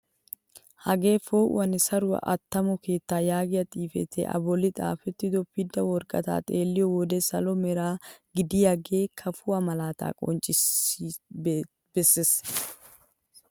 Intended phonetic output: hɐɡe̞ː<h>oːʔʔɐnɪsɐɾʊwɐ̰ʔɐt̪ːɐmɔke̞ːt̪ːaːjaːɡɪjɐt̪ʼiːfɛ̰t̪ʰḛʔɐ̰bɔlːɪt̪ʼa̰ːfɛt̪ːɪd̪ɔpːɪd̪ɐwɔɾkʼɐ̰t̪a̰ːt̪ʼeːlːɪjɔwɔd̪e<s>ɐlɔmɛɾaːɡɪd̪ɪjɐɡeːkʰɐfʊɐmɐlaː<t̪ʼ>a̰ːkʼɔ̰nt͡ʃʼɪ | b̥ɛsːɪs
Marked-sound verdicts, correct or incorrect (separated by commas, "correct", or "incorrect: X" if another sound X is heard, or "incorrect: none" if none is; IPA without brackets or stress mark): incorrect: f, correct, incorrect: t̪